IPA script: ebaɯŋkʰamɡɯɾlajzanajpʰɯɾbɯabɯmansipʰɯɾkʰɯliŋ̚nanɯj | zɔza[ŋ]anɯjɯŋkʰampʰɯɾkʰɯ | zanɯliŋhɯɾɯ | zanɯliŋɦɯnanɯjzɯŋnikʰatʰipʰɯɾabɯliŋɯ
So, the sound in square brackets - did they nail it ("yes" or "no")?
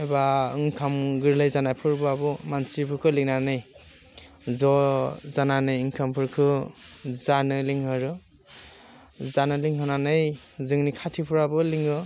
no